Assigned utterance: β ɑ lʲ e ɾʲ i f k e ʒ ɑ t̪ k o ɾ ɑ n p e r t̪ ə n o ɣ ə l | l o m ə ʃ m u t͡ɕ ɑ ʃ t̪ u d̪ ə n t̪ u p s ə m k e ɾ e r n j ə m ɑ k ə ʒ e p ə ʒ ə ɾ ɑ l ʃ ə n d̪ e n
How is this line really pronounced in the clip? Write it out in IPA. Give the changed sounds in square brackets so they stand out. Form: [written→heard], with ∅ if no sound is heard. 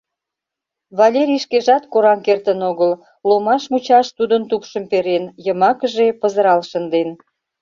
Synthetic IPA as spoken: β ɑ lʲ e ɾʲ i [f→ʃ] k e ʒ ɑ t̪ k o ɾ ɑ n [p→k] e r t̪ ə n o ɣ ə l | l o m [ə→ɑ] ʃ m u t͡ɕ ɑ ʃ t̪ u d̪ ə n t̪ u p [s→ʃ] ə m [k→p] e ɾ e [r→∅] n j ə m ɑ k ə ʒ e p ə [ʒ→z] ə ɾ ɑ l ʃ ə n d̪ e n

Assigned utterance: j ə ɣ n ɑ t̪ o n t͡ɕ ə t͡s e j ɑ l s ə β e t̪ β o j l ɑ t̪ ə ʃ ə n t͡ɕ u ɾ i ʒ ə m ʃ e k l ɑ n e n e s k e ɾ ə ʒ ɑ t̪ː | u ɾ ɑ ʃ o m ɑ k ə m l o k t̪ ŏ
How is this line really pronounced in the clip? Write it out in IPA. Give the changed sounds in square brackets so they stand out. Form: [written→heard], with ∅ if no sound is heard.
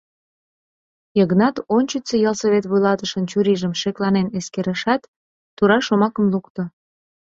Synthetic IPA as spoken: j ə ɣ n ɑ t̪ o n t͡ɕ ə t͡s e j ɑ l s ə β e t̪ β [o→u] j l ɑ t̪ ə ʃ ə n t͡ɕ u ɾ i ʒ ə m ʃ e k l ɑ n e n e s k e ɾ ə [ʒ→ʃ] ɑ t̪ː | u ɾ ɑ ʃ o m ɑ k ə m l [o→u] k t̪ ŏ

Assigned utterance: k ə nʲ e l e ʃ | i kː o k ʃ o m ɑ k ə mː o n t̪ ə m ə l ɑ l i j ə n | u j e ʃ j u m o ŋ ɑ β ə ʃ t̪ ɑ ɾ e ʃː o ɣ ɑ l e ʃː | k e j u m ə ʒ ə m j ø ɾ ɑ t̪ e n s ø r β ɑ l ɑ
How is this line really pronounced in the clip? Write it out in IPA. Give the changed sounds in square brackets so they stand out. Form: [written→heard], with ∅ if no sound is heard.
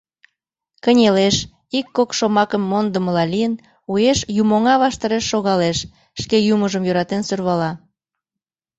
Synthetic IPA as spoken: k ə nʲ e l e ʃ | i kː o k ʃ o m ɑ k ə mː o n [t̪→d̪] ə m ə l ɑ l i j ə n | u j e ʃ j u m o ŋ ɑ β [ə→ɑ] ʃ t̪ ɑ ɾ e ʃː o ɣ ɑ l e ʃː | k e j u m ə ʒ ə m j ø ɾ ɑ t̪ e n s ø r β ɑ l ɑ

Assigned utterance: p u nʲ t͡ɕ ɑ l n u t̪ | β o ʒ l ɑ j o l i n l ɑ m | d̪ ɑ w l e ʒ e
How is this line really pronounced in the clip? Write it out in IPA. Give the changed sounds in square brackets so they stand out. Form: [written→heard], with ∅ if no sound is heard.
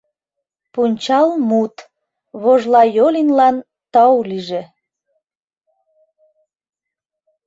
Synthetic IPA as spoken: p u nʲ t͡ɕ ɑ l [n→m] u t̪ | β o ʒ l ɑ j o l i n l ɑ [m→n] | [d̪→t̪] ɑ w l [e→i] ʒ e

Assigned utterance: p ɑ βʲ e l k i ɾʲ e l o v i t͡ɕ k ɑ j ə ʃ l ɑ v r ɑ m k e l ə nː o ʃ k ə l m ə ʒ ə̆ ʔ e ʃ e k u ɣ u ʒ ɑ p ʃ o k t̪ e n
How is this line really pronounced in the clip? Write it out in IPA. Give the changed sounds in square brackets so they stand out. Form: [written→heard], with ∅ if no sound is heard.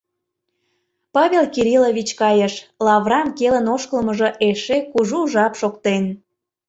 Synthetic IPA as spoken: p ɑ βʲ e l k i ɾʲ [e→i] l o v i t͡ɕ k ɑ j ə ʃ l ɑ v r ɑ m k e l ə [nː→n] o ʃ k ə l m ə ʒ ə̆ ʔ e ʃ e k u [ɣ→ʒ] u ʒ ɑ p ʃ o k t̪ e n

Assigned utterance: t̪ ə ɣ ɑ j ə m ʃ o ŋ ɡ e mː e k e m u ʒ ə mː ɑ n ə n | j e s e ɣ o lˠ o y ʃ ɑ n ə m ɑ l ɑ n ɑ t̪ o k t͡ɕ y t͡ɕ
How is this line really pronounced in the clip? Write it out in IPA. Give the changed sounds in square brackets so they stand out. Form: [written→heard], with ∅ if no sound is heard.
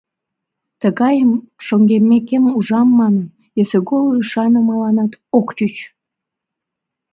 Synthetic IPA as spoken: t̪ ə ɣ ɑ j ə m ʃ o ŋ ɡ e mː e k e m u ʒ [ə→ɑ] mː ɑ n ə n | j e s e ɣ o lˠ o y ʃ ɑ n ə m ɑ l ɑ n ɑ t̪ o k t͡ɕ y t͡ɕ

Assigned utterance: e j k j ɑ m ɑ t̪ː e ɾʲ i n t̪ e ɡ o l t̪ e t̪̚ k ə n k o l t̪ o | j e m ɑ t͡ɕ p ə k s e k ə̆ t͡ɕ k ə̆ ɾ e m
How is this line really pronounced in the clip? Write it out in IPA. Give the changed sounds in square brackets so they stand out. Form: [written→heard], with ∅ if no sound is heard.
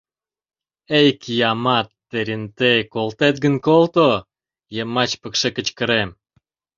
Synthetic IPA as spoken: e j k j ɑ m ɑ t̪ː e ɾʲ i n t̪ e [ɡ→k] o l t̪ e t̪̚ [k→ɡ] ə n k o l t̪ o | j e m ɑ t͡ɕ p ə k [s→ʃ] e k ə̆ t͡ɕ k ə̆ ɾ e m

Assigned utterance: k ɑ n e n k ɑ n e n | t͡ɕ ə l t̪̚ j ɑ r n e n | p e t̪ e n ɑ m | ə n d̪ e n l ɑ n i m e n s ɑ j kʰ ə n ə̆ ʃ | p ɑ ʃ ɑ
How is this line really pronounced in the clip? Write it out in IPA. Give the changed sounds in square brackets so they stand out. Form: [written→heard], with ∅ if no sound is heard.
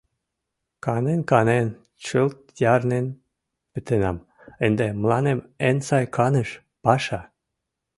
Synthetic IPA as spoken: k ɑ n e n k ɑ n e n | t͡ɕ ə l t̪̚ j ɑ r n e n | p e t̪ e n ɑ m | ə n d̪ e [n→m] l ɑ n [i→e] m e n s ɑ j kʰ [ə→ɑ] n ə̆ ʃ | p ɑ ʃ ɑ

